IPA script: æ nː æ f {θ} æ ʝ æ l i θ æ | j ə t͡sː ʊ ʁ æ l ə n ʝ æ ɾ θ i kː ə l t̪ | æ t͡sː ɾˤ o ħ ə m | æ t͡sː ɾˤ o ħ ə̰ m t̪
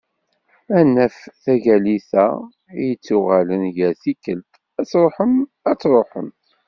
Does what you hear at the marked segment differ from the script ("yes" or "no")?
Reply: no